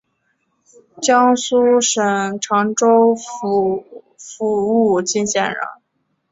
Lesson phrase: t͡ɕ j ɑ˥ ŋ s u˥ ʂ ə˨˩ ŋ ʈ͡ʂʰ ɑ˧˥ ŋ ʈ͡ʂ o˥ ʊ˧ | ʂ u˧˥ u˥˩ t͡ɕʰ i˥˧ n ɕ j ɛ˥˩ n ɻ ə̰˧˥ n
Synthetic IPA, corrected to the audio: t͡ɕ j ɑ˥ ŋ s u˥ ʂ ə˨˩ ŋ ʈ͡ʂʰ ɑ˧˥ ŋ ʈ͡ʂ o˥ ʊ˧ | f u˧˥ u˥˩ t͡ɕ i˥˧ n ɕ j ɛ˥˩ n ɻ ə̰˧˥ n